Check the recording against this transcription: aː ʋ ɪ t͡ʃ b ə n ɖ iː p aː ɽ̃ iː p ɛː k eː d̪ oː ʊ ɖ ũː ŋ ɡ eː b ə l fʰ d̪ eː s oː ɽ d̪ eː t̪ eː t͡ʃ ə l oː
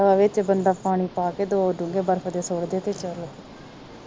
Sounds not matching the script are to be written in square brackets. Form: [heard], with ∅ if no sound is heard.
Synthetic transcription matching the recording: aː ʋ ɪ t͡ʃ b ə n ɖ [aː] p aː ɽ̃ iː p [aː] k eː d̪ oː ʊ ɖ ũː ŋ ɡ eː b ə [ɾ] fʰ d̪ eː s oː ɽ d̪ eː t̪ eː t͡ʃ ə l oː